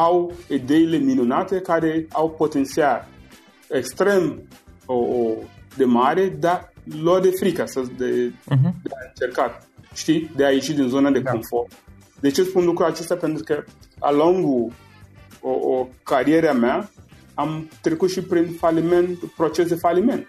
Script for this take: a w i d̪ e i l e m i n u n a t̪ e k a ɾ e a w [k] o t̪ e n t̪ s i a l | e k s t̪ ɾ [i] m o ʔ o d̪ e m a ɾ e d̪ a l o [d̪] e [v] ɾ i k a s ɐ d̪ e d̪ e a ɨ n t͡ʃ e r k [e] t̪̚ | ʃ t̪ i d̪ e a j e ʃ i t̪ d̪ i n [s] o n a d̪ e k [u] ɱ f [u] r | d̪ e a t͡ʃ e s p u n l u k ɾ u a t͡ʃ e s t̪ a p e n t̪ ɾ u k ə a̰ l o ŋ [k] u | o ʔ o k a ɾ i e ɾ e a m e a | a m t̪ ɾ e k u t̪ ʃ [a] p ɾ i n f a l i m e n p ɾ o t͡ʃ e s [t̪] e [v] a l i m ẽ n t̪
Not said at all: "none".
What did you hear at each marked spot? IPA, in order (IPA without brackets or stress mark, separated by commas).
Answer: p, e, d̪, f, a, z, o, o, ɡ, i, d̪, f